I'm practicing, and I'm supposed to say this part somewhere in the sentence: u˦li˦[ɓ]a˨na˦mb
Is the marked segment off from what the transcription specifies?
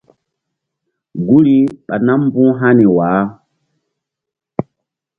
no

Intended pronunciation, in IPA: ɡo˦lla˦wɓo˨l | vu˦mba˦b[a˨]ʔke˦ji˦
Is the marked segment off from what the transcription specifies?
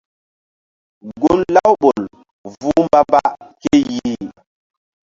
yes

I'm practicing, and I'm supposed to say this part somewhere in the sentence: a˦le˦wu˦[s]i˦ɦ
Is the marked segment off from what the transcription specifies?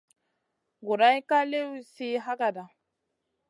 no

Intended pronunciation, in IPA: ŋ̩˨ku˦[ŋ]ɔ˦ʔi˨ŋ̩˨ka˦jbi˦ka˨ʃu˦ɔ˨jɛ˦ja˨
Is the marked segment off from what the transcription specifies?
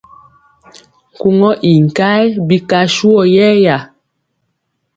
no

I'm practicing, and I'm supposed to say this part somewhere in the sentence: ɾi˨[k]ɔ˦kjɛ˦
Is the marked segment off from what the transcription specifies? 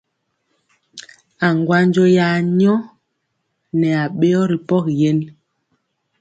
yes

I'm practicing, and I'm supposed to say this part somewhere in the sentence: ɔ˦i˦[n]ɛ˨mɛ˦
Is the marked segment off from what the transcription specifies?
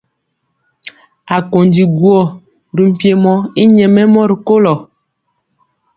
yes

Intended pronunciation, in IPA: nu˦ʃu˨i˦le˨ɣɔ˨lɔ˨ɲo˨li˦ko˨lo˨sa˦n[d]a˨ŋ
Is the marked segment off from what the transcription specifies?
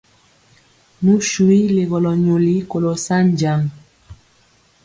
yes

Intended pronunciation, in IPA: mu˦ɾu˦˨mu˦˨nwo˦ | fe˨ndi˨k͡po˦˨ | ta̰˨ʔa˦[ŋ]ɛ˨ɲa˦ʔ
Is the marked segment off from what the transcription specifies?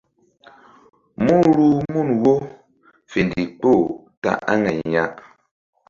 no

